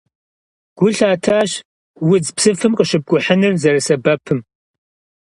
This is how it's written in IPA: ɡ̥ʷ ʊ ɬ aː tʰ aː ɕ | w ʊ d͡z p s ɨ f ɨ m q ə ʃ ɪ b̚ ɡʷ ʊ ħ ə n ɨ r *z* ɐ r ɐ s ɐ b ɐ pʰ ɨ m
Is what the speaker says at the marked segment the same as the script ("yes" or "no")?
yes